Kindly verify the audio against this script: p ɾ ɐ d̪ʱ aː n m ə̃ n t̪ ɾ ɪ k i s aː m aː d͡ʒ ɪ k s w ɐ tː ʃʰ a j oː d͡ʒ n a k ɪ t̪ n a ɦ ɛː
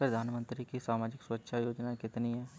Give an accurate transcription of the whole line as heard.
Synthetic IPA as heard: p ɾ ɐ d̪ʱ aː n m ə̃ n t̪ ɾ i k i s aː m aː d͡ʒ ɪ k s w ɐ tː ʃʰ a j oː d͡ʒ n a k ɪ t̪ n i ɦ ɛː